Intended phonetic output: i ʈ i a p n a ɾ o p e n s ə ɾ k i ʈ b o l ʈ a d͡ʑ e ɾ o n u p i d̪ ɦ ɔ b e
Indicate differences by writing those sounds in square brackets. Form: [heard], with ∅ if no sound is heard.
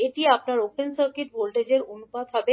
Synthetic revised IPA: [e] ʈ i a p n a ɾ o p e n s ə ɾ k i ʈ b o l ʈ [e] d͡ʑ e ɾ o n u p [a] d̪ ɦ ɔ b e

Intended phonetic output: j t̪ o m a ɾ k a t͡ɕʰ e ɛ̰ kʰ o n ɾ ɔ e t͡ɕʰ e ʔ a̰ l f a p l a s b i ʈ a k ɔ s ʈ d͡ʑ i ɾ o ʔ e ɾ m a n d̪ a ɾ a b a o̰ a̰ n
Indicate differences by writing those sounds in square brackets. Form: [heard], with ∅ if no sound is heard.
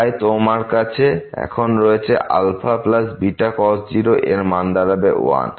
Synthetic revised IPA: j t̪ o m a ɾ k a t͡ɕʰ e ɛ̰ kʰ o n ɾ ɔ e t͡ɕʰ e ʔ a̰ l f a p l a s b i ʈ a k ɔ s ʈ d͡ʑ i ɾ o ʔ e ɾ m a n d̪ a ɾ a b [e] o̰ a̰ n

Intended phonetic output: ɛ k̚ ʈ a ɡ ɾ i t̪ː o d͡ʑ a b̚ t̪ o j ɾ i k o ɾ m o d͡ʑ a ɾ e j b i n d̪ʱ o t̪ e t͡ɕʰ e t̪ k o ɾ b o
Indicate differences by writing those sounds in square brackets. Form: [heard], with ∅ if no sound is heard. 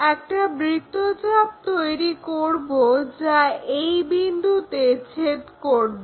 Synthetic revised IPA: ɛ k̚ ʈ a [b] ɾ i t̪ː o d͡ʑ a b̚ t̪ o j ɾ i k o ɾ [b] o d͡ʑ a [∅] e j b i n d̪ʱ [u] t̪ e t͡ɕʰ e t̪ k o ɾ b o

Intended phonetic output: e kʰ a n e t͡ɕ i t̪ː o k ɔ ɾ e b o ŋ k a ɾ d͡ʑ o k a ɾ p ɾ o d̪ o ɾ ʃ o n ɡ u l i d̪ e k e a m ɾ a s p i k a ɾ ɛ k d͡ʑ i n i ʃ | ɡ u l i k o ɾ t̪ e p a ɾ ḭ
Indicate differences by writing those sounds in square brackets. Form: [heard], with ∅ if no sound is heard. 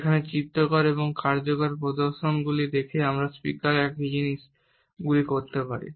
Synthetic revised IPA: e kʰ a n e t͡ɕ i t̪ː o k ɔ ɾ e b o ŋ k a ɾ d͡ʑ o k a ɾ p ɾ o d̪ o ɾ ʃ o n ɡ u l i d̪ e [kʰ] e a m ɾ a s p i k a ɾ ɛ k d͡ʑ i n i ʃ | ɡ u l i k o ɾ t̪ e p a ɾ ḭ

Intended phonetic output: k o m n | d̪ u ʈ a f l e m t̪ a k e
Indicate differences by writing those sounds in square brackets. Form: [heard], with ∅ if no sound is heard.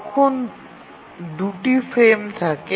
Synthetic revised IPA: [kʰ] o [∅] n | d̪ u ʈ [i] f [ɾ] e m [t̪ʰ] a k e

